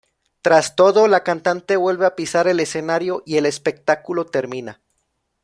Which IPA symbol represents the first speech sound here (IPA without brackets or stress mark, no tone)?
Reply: t̪